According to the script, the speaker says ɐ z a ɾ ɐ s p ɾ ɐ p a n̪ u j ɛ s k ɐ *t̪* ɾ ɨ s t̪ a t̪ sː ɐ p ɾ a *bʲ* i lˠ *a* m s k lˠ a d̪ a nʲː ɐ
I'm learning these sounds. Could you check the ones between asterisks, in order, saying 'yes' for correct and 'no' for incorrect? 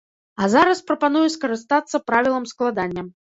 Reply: no, no, no

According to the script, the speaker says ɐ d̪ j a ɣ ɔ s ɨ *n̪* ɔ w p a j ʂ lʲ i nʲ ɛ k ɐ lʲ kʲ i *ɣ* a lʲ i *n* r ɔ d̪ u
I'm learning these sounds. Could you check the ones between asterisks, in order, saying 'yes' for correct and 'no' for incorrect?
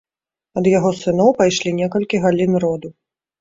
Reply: yes, yes, yes

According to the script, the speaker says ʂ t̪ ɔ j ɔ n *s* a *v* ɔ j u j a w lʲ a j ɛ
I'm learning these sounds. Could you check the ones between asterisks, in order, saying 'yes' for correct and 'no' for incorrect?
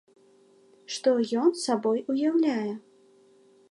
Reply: yes, no

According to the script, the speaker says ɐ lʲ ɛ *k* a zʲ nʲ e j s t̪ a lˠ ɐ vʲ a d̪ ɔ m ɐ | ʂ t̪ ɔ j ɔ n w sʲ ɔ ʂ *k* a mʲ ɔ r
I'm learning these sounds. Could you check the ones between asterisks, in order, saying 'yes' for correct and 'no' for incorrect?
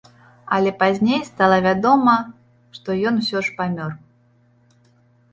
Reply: no, no

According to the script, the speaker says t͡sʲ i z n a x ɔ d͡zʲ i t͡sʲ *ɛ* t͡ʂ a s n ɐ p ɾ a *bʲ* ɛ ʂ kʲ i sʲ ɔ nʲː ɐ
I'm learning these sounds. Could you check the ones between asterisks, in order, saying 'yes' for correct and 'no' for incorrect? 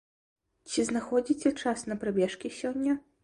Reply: yes, yes

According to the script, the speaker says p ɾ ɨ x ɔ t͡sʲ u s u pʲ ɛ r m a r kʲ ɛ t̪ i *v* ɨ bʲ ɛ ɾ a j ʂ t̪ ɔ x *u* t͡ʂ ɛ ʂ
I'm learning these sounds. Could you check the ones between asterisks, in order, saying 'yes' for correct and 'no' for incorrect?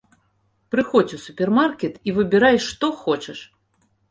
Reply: yes, no

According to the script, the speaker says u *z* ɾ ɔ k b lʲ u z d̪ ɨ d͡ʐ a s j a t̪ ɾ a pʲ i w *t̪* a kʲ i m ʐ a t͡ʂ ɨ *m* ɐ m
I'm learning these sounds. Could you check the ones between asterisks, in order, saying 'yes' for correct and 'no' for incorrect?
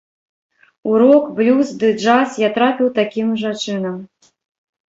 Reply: no, yes, no

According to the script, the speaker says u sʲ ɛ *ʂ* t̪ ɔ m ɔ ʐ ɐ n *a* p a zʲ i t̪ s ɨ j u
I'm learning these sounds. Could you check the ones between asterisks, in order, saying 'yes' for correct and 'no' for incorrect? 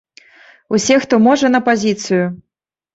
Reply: no, no

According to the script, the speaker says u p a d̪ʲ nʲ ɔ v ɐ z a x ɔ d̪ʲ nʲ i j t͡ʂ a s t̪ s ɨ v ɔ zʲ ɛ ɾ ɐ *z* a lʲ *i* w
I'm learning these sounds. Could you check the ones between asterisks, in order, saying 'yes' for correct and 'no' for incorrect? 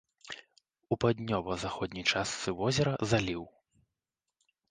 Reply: yes, yes

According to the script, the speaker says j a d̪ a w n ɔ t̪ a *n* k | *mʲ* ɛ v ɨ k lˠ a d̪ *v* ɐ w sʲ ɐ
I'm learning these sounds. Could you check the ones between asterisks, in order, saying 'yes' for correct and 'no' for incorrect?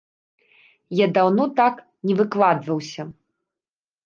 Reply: no, no, yes

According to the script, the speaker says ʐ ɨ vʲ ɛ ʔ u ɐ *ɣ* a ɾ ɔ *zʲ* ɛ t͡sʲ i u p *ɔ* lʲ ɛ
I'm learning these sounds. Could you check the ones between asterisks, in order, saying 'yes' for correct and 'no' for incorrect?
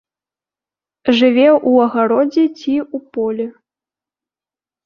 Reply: yes, no, yes

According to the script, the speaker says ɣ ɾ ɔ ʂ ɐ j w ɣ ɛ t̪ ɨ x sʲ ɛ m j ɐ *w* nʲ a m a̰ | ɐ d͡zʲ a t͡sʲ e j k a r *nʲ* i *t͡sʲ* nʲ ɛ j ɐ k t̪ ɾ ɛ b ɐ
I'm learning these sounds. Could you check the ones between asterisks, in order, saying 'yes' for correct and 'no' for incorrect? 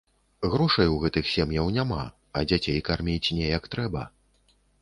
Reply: yes, no, yes

